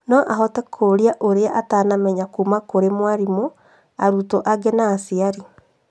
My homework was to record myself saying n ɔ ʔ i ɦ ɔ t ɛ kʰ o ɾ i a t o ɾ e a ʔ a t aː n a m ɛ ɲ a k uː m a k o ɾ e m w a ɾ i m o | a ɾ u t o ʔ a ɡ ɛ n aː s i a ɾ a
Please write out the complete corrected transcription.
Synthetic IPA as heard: n ɔ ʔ a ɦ ɔ t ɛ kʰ o ɾ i a ʔ o ɾ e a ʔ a t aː n a m ɛ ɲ a k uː m a k o ɾ e m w a ɾ i m o | a ɾ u t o ʔ a ɡ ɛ n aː s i a ɾ i